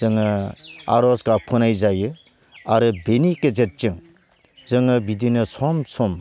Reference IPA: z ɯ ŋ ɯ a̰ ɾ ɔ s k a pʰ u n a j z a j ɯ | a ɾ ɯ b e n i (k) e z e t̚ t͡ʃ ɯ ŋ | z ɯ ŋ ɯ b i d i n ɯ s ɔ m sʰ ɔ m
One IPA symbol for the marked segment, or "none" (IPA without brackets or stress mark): k